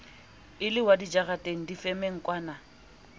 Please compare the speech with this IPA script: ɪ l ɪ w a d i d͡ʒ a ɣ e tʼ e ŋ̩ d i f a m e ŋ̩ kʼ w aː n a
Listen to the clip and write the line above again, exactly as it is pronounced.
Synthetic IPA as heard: ɪ l ɪ w a d i d͡ʒ a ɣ a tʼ e ŋ̩ d i f ɛ m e ŋ̩ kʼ w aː n a